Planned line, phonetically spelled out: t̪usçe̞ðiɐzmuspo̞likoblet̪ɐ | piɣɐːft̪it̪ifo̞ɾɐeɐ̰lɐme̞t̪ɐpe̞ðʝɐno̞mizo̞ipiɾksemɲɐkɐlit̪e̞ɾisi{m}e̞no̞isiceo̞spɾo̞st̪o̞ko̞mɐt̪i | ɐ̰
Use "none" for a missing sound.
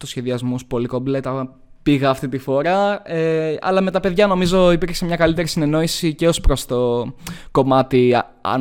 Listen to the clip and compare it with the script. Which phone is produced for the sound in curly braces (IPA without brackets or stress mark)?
n